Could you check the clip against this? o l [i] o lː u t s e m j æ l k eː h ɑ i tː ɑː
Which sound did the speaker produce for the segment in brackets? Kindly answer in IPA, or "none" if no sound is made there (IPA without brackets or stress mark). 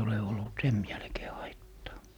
e